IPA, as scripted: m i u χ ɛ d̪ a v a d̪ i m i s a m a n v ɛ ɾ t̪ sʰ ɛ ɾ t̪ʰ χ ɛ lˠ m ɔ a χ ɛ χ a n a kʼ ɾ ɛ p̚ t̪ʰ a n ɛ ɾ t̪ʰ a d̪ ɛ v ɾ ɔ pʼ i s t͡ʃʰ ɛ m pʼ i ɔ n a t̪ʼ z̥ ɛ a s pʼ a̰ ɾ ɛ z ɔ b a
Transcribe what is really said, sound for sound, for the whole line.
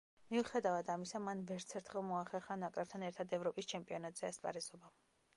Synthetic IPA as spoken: m i u χ ɛ d̪ a v a d̪ a m i s a m a n v ɛ ɾ t̪ sʰ ɛ ɾ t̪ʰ χ ɛ lˠ m ɔ a χ ɛ χ a n a kʼ ɾ ɛ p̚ t̪ʰ a n ɛ ɾ t̪ʰ a d̪ ɛ v ɾ ɔ pʼ i s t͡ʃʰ ɛ m pʼ i ɔ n a t̪ʼ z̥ ɛ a s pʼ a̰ ɾ ɛ z ɔ b a